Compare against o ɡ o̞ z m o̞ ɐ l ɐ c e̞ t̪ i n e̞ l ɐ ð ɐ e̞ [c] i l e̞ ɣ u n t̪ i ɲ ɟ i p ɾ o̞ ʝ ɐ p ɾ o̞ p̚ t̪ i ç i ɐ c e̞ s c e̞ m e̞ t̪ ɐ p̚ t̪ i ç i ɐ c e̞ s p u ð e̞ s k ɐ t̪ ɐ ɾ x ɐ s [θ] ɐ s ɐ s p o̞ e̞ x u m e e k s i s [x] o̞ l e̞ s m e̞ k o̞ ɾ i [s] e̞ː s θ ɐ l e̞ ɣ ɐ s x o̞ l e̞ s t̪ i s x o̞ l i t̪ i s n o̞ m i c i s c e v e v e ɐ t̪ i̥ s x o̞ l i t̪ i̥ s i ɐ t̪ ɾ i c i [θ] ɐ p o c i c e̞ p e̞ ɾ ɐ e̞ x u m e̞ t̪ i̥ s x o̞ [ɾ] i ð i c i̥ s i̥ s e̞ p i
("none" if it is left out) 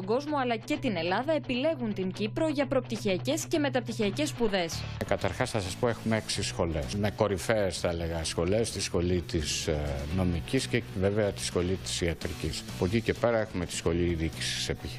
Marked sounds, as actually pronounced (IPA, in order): p, θ, x, f, s, l

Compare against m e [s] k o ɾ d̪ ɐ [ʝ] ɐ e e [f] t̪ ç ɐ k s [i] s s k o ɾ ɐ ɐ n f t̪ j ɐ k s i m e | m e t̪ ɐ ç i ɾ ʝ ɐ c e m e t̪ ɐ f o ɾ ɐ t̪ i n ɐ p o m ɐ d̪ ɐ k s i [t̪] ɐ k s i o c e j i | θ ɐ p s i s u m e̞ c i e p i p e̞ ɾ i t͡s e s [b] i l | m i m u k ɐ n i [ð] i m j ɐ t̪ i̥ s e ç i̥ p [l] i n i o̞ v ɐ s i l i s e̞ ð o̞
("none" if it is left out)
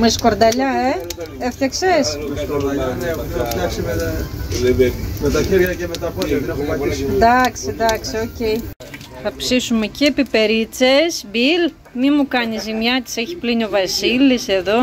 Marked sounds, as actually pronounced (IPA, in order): s, ʎ, f, e, d̪, b, z, l

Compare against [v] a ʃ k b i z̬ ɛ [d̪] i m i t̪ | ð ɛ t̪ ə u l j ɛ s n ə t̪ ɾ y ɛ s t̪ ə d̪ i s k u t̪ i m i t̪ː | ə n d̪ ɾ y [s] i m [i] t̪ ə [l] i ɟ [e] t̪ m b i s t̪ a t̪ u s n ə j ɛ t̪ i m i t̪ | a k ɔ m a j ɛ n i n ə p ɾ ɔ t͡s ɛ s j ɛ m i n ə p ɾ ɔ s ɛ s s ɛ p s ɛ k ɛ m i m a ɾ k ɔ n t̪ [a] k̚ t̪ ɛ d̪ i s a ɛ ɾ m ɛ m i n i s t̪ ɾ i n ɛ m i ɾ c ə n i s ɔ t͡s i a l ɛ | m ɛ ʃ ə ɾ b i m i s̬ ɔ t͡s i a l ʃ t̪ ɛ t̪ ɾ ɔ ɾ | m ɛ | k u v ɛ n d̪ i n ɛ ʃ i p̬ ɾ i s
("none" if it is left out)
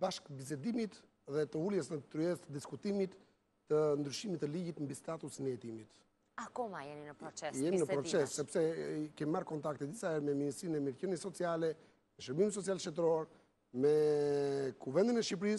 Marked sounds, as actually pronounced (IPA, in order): b, d̪, ʃ, i, l, i, a

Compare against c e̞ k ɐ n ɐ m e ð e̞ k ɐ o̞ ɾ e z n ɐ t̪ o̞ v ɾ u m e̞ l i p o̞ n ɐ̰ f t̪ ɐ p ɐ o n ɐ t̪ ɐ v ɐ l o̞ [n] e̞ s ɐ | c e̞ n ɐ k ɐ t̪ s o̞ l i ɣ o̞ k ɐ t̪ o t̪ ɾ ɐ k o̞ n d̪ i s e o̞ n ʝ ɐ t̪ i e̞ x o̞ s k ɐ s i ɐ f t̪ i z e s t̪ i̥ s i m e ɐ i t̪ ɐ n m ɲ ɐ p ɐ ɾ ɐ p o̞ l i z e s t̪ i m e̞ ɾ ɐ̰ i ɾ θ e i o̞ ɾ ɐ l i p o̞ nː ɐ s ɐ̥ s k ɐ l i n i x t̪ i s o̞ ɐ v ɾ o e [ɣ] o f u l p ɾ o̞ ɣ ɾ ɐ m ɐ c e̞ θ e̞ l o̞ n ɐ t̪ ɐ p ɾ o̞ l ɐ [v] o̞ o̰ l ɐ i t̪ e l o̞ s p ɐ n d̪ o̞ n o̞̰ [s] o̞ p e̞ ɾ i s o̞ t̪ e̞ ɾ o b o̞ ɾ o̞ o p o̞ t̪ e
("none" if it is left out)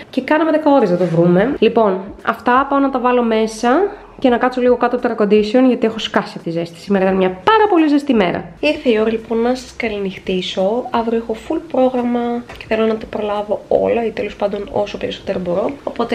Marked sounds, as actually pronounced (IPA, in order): m, x, v, s

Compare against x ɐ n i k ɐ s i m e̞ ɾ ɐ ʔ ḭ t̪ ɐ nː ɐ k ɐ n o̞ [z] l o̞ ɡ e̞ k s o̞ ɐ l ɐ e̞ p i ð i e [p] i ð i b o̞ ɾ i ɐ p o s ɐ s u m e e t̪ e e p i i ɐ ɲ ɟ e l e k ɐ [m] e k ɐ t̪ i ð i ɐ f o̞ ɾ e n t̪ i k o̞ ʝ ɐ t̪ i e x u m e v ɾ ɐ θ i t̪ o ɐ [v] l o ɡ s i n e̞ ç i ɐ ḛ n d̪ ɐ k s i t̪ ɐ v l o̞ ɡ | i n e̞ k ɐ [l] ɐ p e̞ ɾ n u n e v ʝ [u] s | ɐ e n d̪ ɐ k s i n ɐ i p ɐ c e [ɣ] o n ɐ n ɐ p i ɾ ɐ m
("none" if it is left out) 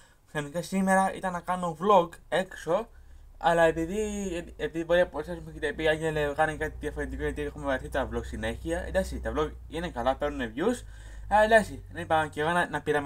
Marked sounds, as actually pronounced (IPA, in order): v, p, n, v, l, u, ɣ

